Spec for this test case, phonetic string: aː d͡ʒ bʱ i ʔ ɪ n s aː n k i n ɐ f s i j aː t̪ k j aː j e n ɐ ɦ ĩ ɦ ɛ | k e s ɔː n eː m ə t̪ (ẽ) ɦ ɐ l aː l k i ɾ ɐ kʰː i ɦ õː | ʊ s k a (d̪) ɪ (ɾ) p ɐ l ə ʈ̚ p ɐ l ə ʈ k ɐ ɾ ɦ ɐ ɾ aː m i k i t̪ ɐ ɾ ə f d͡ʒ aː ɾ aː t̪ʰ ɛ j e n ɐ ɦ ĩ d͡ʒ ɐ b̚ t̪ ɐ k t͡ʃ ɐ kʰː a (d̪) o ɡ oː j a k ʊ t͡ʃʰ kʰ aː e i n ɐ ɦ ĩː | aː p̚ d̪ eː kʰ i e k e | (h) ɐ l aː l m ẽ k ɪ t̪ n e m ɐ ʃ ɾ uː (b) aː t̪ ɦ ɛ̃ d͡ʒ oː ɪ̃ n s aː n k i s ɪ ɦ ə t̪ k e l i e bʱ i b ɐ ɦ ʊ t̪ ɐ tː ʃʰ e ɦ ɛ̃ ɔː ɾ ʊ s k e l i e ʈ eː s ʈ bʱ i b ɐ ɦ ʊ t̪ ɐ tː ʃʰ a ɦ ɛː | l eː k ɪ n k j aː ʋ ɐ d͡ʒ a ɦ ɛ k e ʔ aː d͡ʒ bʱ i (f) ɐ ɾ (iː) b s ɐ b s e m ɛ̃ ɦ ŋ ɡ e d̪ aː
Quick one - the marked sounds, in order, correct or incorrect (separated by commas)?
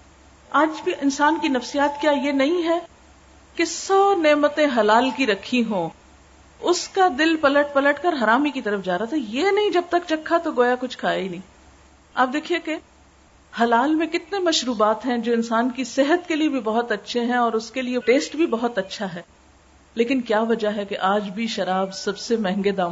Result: correct, correct, incorrect, incorrect, correct, correct, incorrect, incorrect